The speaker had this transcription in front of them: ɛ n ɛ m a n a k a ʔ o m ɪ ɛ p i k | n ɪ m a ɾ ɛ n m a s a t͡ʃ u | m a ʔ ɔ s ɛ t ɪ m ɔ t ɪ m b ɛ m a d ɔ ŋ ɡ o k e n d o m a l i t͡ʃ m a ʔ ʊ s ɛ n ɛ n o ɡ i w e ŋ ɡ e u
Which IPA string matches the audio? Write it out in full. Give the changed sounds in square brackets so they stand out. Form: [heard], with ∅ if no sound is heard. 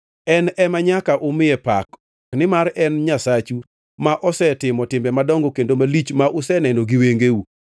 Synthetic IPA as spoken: ɛ n ɛ m a [ɲ] a k a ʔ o m ɪ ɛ p [a] k | n ɪ m a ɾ ɛ n [ɲ] a s a t͡ʃ u | m a ʔ ɔ s ɛ t ɪ m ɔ t ɪ m b ɛ m a d ɔ ŋ ɡ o k e n d o m a l i t͡ʃ m a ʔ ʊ s ɛ n ɛ n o ɡ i w e ŋ ɡ e u